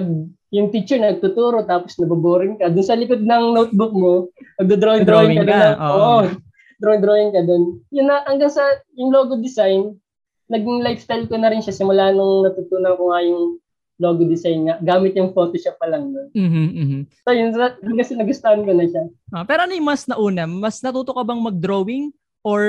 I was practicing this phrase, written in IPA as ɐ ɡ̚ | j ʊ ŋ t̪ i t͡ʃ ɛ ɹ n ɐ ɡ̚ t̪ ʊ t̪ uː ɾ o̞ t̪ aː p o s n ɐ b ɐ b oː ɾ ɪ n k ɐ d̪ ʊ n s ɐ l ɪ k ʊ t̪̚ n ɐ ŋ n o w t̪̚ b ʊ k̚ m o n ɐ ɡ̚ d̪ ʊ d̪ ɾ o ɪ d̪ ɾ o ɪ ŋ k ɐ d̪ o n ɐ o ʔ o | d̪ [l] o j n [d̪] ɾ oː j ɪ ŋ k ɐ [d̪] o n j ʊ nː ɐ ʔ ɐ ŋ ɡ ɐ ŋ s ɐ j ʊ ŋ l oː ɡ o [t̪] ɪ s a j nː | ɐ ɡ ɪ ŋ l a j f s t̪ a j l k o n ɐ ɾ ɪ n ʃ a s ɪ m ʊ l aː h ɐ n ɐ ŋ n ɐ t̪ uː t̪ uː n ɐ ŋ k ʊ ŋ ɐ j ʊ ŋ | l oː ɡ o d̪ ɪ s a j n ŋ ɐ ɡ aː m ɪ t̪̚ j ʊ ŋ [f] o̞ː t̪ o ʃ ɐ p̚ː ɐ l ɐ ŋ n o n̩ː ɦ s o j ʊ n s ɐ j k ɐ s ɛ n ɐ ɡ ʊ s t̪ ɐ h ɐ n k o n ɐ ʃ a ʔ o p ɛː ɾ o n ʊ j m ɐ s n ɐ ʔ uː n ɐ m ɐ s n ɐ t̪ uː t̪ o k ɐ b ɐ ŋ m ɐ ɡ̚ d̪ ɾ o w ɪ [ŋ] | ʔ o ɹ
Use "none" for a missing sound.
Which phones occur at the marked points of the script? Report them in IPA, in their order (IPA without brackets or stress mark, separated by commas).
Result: ɾ, d̪, d̪, d̪, f, ŋ